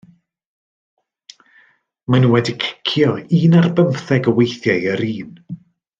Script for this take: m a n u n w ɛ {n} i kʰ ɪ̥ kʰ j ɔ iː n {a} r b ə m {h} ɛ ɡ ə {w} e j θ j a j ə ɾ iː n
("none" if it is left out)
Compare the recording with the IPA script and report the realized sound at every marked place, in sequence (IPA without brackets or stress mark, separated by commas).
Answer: d, a, θ, w